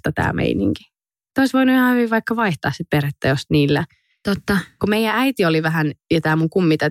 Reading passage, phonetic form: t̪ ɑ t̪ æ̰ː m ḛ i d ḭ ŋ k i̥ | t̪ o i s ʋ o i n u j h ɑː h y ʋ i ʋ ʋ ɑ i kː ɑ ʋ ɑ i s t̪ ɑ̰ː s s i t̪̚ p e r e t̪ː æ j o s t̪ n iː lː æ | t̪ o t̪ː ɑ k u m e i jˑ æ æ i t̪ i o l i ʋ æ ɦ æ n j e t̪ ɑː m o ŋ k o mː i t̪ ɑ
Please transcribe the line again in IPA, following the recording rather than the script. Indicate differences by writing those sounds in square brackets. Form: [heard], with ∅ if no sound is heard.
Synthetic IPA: t̪ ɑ t̪ æ̰ː m ḛ i [n] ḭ ŋ k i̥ | t̪ o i s ʋ o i n u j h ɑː h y ʋ i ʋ ʋ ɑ i kː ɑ ʋ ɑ i [h] t̪ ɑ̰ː s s i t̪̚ p e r e t̪ː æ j o s t̪ n iː lː æ | t̪ o t̪ː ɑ k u m e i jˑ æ æ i t̪ i o l i ʋ æ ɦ æ n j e t̪ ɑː m [u] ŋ k [u] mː i t̪ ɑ